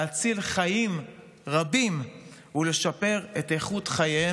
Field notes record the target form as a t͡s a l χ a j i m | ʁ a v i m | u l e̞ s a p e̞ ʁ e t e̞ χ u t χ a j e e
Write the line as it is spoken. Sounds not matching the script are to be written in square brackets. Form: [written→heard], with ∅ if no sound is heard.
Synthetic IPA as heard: a t͡s [a→i] l χ a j i m | ʁ a [v→b] i m | u l e̞ [s→ʃ] a p e̞ ʁ e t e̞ χ u t χ a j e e

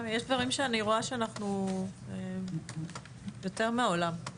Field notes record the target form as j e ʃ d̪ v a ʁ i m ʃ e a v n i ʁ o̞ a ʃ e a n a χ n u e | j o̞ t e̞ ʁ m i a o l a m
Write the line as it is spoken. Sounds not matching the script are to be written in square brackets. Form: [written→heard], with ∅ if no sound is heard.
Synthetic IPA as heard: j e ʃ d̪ v a ʁ i m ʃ e a [v→∅] n i ʁ o̞ a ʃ e a n a χ n u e | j o̞ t e̞ ʁ m [i→e] a o l a m

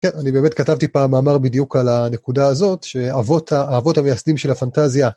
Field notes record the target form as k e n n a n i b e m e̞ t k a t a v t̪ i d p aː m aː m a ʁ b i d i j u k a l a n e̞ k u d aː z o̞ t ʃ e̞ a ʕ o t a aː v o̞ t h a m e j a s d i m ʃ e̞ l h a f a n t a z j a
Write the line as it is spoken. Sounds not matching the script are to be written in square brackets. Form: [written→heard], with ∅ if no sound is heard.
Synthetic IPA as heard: k e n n a n i b e m e̞ t k a t a v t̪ i [d→∅] p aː m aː m a ʁ b i d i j u k a l a n e̞ k u d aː z o̞ t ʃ e̞ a [ʕ→v] o t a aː v o̞ t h a m e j a s d i m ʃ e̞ l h a f a n t a z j a

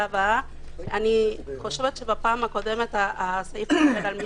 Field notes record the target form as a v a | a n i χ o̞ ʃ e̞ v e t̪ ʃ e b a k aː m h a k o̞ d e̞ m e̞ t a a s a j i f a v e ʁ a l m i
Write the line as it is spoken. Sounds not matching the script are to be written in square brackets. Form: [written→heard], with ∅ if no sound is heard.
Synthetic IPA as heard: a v a | a n i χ o̞ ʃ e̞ v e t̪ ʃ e b a [k→p] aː m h a k o̞ d e̞ m e̞ t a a s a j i f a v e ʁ a l m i

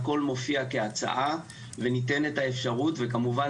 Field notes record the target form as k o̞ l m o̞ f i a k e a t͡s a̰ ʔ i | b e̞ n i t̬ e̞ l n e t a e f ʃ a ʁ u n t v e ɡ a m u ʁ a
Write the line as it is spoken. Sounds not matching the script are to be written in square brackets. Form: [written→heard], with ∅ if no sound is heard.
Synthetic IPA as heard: k o̞ l m o̞ f i a k e a t͡s a̰ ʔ [i→a] | [b→v] e̞ n i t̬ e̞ [l→∅] n e t a e f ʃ a ʁ u [n→∅] t v e [ɡ→k] a m u [ʁ→v] a

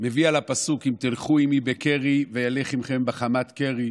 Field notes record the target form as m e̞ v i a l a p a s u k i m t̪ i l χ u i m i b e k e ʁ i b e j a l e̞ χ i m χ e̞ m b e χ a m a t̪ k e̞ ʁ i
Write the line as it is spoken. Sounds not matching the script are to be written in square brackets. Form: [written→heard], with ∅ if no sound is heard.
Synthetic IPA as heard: m e̞ v i a l a p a s u k i m t̪ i l χ u i m i b e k e ʁ i [b→v] e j a l e̞ χ i m χ e̞ m b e χ a m a t̪ k e̞ ʁ i

